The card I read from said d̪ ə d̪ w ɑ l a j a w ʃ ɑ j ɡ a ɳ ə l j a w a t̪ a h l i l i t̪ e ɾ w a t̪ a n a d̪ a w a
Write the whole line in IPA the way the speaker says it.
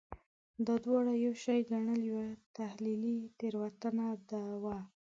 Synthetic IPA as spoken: d̪ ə d̪ w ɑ ɽ a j a w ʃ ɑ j ɡ a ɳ ə l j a w a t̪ a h l i l i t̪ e ɾ w a t̪ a n a d̪ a w a